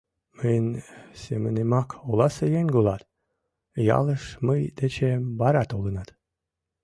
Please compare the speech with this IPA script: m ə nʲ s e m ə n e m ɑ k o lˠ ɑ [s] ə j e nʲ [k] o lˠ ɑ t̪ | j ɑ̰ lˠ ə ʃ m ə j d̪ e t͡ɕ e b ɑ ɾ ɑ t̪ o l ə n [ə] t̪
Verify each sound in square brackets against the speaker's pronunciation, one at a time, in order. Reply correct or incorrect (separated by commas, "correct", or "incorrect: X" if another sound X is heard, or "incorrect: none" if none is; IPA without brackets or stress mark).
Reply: correct, incorrect: ɡ, incorrect: ɑ